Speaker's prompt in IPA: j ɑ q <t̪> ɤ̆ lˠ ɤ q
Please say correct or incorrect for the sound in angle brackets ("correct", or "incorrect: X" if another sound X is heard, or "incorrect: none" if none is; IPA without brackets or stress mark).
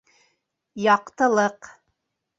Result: correct